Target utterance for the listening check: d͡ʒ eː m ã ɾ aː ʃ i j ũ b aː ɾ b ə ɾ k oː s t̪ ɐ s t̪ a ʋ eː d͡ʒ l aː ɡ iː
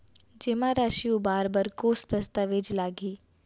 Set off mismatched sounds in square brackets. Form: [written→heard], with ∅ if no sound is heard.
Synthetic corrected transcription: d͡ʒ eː m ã ɾ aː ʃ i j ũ b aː ɾ b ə ɾ k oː s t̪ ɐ s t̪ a ʋ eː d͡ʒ l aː ɡ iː